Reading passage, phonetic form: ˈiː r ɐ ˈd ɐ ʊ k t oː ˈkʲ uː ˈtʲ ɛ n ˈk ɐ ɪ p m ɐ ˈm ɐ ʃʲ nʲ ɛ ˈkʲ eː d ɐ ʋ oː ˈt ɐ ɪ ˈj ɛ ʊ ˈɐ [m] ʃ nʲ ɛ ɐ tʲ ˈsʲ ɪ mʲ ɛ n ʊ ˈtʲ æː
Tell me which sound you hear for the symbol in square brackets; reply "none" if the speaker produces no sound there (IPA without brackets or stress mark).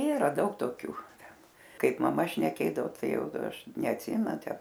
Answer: none